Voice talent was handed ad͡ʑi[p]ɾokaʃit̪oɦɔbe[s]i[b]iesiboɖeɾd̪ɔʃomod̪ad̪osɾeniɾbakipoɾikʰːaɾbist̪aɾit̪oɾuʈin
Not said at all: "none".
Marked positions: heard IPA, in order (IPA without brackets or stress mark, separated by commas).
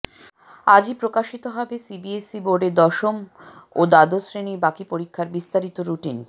p, s, b